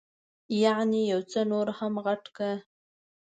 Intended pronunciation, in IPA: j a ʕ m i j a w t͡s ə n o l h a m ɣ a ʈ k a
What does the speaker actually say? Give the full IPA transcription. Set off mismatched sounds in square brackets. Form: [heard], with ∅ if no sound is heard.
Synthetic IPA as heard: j a ʕ [n] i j a w t͡s ə n o [ɾ] h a m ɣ a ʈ k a